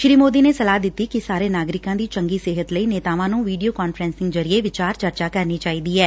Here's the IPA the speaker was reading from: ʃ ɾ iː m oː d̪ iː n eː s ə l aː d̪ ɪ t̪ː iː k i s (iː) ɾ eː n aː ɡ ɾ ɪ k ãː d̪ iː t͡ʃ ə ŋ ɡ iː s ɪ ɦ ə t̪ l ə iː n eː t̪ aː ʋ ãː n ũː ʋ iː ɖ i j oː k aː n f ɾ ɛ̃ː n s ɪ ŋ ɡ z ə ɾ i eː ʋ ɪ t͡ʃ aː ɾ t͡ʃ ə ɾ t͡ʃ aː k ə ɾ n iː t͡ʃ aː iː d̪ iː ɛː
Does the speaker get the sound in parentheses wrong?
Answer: yes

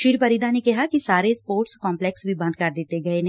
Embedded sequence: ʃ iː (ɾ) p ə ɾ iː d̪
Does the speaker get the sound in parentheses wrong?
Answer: no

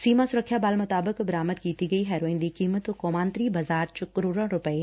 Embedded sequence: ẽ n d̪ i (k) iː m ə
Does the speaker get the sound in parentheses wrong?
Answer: no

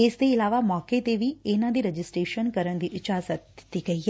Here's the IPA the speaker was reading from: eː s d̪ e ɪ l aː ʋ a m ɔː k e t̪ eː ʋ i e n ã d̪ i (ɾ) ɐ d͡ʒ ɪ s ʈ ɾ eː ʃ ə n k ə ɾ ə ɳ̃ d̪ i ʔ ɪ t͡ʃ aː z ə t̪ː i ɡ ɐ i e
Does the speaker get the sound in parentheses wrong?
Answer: no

